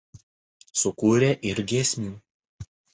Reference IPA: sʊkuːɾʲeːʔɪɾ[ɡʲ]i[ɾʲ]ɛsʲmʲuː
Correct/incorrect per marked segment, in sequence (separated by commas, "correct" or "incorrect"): correct, incorrect